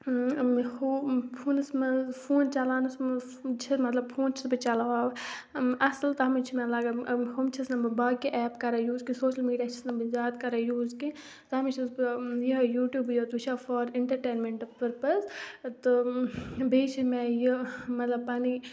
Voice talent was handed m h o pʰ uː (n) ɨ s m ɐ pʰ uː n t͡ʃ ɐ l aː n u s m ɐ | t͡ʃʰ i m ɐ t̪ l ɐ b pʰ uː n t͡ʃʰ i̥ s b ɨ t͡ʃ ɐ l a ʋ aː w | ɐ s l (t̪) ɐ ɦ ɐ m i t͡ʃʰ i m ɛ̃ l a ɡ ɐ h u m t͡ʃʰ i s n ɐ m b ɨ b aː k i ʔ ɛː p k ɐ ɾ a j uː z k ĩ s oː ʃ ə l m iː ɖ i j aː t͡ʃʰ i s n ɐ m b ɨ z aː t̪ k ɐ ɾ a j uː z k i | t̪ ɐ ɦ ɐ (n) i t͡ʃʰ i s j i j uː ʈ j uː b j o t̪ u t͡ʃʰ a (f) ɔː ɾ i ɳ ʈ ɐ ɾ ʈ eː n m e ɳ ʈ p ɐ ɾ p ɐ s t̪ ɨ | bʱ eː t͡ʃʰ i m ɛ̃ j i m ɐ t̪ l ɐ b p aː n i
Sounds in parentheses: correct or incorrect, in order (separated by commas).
correct, correct, incorrect, correct